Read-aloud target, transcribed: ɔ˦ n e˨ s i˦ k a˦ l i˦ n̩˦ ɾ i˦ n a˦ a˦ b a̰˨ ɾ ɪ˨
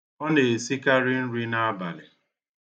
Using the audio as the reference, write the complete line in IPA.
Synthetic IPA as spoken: ɔ˦ n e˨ s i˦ k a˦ ɾ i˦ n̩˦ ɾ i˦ n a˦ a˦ b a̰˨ l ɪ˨